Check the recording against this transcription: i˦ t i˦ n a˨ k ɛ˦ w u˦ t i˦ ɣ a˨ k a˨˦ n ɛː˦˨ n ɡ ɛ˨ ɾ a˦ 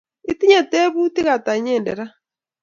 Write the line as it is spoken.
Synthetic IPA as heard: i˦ t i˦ ɲ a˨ t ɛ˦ β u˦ t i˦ ɣ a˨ t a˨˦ ɲ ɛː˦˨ n d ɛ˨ ɾ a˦